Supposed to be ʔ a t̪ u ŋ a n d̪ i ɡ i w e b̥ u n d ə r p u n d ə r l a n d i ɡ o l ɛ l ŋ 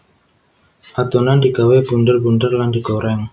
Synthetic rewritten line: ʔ a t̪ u n a n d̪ i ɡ a w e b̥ u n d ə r b u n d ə r l a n d i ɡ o ɾ ɛ ŋ